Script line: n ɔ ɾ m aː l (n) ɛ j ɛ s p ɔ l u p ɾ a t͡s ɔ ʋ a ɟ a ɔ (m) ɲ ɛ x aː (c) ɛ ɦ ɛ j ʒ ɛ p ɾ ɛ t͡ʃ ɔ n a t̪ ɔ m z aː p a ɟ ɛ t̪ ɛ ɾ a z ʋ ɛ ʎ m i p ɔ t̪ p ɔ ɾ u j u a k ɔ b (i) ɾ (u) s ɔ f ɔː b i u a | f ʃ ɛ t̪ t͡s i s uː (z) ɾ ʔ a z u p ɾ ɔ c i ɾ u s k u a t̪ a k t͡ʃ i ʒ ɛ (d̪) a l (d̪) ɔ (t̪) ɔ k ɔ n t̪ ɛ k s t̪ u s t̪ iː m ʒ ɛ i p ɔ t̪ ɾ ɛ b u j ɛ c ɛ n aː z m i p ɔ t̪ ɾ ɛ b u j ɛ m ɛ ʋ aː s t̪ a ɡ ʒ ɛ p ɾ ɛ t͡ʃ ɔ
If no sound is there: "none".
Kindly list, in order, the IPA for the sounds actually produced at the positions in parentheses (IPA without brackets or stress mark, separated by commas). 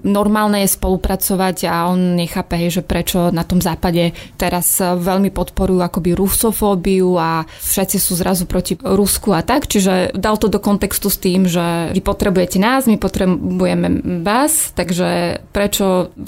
n, n, p, i, u, z, d̪, t̪, d̪